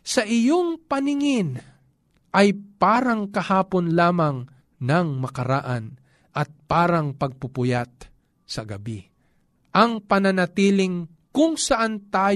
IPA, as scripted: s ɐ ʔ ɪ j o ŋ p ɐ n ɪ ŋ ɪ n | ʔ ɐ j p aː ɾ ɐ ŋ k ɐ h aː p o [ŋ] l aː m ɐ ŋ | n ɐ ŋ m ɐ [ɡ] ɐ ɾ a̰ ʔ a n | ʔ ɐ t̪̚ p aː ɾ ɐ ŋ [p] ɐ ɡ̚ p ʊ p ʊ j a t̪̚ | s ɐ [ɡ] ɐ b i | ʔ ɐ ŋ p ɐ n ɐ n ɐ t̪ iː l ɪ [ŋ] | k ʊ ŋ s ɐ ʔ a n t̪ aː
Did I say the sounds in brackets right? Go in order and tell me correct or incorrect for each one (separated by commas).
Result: incorrect, incorrect, correct, correct, correct